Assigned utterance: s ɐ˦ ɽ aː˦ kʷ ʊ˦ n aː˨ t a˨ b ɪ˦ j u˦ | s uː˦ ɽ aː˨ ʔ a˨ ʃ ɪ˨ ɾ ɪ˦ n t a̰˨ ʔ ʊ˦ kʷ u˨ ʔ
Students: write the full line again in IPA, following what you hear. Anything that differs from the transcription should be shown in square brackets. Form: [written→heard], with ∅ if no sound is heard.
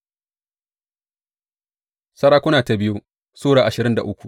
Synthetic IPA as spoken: s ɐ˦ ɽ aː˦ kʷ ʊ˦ n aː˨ t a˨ b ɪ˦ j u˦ | s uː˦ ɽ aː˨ ʔ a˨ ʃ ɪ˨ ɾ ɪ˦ n [t→d] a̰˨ ʔ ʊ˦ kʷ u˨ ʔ

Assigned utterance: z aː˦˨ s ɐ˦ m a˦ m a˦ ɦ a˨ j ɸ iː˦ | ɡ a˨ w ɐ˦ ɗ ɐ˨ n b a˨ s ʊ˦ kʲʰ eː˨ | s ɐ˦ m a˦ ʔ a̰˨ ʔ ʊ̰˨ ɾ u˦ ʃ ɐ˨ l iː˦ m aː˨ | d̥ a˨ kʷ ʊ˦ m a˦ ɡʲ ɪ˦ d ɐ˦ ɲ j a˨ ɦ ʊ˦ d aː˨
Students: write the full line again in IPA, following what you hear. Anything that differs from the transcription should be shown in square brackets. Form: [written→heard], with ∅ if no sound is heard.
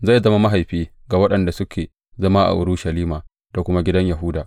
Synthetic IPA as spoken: z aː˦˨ [s→z] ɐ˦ m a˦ m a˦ ɦ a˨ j ɸ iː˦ | ɡ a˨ w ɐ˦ ɗ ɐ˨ n [b→d] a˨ s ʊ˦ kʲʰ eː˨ | [s→z] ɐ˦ m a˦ ʔ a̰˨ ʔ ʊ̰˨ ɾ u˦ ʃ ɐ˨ l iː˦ m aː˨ | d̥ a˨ kʷ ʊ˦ m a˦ ɡʲ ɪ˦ d ɐ˦ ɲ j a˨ ɦ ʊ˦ d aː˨

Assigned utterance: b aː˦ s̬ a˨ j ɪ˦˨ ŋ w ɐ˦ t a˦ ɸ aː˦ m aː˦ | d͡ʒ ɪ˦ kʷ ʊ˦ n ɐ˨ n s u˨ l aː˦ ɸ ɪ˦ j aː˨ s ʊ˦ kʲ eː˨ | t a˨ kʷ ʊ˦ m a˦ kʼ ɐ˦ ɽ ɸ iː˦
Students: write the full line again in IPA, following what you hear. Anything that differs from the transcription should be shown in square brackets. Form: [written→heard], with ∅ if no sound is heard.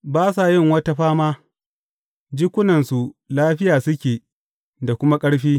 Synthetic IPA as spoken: b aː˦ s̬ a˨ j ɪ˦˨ ŋ w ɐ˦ t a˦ ɸ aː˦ m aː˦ | d͡ʒ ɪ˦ kʷ ʊ˦ n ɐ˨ n s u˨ l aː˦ ɸ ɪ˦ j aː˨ s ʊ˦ kʲ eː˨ | [t→d] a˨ kʷ ʊ˦ m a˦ kʼ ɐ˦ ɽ ɸ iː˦

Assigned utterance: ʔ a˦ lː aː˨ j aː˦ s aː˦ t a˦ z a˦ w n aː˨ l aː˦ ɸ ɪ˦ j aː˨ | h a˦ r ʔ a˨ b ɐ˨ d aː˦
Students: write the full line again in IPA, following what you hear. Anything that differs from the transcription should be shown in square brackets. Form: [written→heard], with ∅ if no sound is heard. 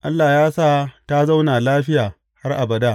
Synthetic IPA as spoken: ʔ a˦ lː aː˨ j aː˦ s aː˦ t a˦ z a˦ w n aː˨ l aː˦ ɸ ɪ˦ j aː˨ | h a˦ r ʔ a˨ b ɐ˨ d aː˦

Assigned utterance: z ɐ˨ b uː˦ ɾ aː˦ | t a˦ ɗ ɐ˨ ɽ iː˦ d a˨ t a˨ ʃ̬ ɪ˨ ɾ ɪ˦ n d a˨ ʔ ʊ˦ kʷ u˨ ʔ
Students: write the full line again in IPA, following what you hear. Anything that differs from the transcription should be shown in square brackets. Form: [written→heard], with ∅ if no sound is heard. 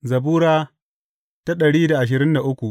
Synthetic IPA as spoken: z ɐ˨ b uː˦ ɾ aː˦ | t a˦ ɗ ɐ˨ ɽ iː˦ d a˨ [t→ʔ] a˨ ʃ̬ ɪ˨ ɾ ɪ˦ n d a˨ ʔ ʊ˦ kʷ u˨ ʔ

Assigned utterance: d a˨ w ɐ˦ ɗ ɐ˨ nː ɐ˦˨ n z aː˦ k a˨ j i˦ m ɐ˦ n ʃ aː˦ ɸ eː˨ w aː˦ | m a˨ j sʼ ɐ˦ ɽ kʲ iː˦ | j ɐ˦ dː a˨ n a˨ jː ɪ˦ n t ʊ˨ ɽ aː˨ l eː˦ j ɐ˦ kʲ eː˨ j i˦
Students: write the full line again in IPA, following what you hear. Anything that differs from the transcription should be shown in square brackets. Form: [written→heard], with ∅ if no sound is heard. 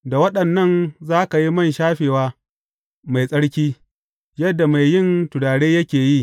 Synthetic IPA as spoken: d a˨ w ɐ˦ ɗ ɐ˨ nː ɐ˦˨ n z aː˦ k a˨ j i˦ m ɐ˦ n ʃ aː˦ ɸ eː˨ w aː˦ | m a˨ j sʼ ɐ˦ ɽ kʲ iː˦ | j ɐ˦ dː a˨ [n→m] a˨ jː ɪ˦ n t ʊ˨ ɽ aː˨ [l→ɽ] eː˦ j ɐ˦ kʲ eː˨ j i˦

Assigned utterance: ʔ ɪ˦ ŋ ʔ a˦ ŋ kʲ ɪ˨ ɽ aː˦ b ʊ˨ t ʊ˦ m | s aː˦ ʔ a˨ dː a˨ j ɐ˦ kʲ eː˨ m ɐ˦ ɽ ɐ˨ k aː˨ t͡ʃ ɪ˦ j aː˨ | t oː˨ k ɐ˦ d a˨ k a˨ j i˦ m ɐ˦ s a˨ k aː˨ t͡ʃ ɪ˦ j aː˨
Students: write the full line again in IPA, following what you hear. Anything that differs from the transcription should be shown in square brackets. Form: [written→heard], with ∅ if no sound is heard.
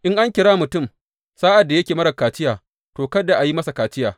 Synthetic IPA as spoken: ʔ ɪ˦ ŋ ʔ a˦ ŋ kʲ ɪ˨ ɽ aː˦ [b→m] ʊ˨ t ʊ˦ m | s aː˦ ʔ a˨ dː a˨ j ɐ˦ kʲ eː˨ m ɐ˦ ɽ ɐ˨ k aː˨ t͡ʃ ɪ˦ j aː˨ | t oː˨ k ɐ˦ d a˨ [k→ʔ] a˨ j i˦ m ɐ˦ s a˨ k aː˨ t͡ʃ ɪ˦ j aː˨

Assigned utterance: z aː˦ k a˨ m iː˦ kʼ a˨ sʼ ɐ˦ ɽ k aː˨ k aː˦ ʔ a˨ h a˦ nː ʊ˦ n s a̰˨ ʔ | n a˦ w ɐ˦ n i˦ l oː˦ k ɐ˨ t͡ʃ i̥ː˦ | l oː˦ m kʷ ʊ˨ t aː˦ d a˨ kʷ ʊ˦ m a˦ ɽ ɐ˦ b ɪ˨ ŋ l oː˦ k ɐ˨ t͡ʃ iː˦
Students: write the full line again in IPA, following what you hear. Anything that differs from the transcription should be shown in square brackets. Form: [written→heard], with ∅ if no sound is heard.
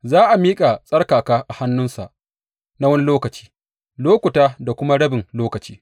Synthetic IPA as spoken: z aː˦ [k→ʔ] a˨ m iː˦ kʼ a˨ sʼ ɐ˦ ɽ k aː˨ k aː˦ ʔ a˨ h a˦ nː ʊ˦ n s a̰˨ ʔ | n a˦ w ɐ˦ n i˦ l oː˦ k ɐ˨ t͡ʃ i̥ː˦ | l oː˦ [m→∅] kʷ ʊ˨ t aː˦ d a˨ kʷ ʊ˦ m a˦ ɽ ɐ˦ b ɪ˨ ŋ l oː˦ k ɐ˨ t͡ʃ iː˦

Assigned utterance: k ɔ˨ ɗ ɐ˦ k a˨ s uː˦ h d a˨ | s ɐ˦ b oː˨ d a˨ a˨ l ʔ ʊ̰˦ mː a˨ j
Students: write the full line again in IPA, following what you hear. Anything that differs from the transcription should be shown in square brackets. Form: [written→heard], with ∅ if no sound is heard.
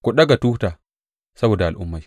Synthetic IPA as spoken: k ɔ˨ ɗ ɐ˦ [k→ɡ] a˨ [s→t] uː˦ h [d→t] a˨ | s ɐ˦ b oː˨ d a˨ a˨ l ʔ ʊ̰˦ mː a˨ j

